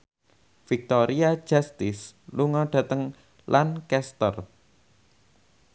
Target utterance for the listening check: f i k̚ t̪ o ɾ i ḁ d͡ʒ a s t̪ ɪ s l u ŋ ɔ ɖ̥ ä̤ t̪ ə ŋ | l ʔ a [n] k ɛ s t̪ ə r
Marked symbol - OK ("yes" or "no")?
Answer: yes